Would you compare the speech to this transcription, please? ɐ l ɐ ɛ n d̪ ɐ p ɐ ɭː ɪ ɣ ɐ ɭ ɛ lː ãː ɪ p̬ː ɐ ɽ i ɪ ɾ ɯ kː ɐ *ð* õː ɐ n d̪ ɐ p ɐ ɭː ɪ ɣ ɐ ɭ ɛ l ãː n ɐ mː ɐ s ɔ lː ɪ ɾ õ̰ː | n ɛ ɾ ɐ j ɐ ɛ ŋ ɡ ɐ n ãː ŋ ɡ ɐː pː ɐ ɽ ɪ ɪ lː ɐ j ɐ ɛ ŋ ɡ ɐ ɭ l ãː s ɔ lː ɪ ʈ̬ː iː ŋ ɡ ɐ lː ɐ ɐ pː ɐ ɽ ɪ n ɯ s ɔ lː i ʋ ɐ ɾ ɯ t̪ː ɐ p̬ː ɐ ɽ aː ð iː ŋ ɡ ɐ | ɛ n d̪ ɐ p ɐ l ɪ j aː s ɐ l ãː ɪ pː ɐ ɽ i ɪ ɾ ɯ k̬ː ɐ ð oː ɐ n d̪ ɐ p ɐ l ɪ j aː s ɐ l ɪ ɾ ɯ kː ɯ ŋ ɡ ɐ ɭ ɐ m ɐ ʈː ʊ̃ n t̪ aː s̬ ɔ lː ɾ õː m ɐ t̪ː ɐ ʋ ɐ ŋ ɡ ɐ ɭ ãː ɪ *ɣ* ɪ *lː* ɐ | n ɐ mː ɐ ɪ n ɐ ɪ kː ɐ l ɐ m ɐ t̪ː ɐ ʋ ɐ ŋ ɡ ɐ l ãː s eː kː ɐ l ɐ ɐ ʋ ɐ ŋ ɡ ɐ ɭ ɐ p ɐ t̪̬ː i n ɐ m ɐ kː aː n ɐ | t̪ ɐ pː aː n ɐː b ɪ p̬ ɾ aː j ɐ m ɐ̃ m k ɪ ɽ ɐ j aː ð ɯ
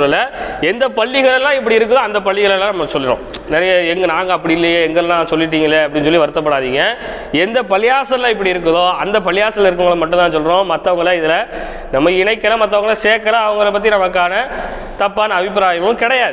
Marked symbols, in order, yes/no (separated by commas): yes, no, no